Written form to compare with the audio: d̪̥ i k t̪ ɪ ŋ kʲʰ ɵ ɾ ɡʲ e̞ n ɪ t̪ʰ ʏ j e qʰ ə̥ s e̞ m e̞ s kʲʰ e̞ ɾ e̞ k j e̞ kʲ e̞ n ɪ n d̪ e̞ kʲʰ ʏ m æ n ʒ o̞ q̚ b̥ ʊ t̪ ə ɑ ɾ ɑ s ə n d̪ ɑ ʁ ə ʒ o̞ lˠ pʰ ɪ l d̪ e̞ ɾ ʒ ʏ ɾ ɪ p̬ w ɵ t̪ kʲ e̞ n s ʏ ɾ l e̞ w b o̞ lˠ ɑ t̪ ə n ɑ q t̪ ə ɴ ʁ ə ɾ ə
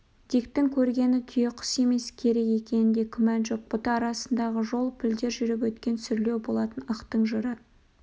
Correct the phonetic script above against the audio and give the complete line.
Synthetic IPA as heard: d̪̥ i k t̪ ɪ ŋ kʲʰ ɵ ɾ ɡʲ e̞ n ɪ t̪ʰ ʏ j e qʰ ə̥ s e̞ m e̞ s kʲʰ e̞ ɾ e̞ k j e̞ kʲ e̞ n ɪ n d̪ e̞ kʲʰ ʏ m æ n ʒ o̞ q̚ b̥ ʊ t̪ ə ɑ ɾ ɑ s ə n d̪ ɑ ʁ ə ʒ o̞ lˠ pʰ ɪ l d̪ e̞ ɾ ʒ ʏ ɾ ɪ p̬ w ɵ t̪ kʲ e̞ n s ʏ ɾ l e̞ w b o̞ lˠ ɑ t̪ ə n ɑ q t̪ ə ɴ ʒ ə ɾ ə

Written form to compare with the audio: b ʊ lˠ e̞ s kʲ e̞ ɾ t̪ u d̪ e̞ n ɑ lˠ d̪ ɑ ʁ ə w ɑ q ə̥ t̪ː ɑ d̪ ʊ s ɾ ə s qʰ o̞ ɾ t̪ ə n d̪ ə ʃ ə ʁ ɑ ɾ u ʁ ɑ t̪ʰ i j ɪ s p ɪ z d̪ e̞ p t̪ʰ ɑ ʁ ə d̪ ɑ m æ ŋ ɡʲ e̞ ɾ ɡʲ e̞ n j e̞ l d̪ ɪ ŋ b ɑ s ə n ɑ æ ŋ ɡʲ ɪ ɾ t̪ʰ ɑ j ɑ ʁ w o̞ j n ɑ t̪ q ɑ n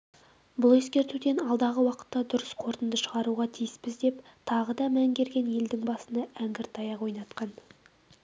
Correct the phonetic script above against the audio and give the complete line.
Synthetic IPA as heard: b ʊ lˠ e̞ s kʲ e̞ ɾ t̪ u d̪ e̞ n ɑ lˠ d̪ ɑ ʁ ə w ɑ q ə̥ t̪ː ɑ d̪ ʊ ɾ ə s qʰ o̞ ɾ t̪ ə n d̪ ə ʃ ə ʁ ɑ ɾ u ʁ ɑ t̪ʰ i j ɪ s p ɪ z d̪ e̞ p t̪ʰ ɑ ʁ ə d̪ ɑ m æ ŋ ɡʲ e̞ ɾ ɡʲ e̞ n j e̞ l d̪ ɪ ŋ b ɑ s ə n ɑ æ ŋ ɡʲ ɪ ɾ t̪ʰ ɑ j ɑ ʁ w o̞ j n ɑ t̪ q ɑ n

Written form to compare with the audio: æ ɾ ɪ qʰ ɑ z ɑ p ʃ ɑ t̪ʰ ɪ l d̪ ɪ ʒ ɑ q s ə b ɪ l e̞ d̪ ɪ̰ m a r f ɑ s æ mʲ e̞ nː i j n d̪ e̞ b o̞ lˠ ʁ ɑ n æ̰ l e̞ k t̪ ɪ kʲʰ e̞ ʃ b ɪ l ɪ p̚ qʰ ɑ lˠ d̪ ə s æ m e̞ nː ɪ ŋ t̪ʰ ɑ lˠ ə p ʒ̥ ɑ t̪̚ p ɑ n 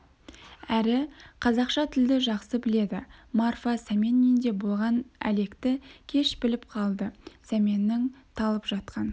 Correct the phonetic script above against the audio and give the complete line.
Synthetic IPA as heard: æ ɾ ɪ qʰ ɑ z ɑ q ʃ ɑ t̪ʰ ɪ l d̪ ɪ ʒ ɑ q s ə b ɪ l e̞ d̪ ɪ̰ m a r f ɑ s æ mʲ e̞ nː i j n d̪ e̞ b o̞ lˠ ʁ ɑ n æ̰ l e̞ k t̪ ɪ kʲʰ e̞ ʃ b ɪ l ɪ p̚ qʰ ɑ lˠ d̪ ə s æ m e̞ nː ɪ ŋ t̪ʰ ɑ lˠ ə p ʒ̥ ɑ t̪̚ q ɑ n

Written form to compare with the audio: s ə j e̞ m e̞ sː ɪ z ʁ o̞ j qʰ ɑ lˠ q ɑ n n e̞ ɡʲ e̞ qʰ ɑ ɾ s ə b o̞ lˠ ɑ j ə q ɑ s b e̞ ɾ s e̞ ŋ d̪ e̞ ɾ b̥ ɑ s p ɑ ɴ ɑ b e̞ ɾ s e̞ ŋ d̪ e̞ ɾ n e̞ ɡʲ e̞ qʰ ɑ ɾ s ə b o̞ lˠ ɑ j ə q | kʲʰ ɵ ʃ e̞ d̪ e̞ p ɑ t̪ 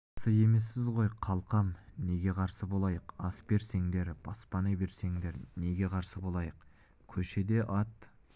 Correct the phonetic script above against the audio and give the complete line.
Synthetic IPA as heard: s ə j e̞ m e̞ sː ɪ z ʁ o̞ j qʰ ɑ lˠ q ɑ m n e̞ ɡʲ e̞ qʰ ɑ ɾ s ə b o̞ lˠ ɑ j ə q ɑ s b e̞ ɾ s e̞ ŋ d̪ e̞ ɾ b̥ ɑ s p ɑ n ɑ b e̞ ɾ s e̞ ŋ d̪ e̞ ɾ n e̞ ɡʲ e̞ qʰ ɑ ɾ s ə b o̞ lˠ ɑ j ə q | kʲʰ ɵ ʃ e̞ d̪ e̞ ʔ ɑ t̪

